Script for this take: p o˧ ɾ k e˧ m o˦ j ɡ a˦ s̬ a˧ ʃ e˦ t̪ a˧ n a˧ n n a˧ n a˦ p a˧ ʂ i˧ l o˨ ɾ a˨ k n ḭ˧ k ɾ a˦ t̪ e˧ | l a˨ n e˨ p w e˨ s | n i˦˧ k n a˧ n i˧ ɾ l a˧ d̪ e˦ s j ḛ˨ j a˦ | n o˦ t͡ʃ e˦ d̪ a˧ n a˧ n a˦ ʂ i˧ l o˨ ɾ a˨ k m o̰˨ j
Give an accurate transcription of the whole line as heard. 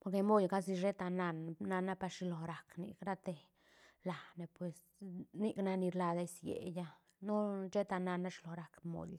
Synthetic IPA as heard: p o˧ ɾ k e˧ m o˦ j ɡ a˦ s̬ i˧ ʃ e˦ t̪ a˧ n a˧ n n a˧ n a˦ p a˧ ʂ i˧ l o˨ ɾ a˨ k n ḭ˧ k ɾ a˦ t̪ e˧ | l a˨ n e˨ p w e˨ s | n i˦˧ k n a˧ n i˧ ɾ l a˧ d̪ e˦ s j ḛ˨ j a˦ | n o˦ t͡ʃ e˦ t̪ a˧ n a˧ n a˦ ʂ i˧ l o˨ ɾ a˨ k m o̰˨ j